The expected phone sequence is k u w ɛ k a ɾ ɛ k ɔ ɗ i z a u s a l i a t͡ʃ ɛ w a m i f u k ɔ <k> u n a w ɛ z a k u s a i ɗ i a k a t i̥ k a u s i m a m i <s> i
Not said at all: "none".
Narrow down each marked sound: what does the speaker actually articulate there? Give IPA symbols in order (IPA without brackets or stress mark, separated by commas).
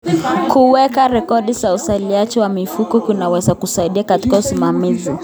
k, z